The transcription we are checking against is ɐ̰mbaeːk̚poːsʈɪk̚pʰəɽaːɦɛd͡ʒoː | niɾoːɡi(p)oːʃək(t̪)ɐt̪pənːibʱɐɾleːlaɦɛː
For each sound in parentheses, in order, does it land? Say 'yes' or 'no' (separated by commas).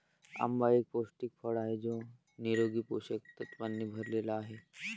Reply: yes, yes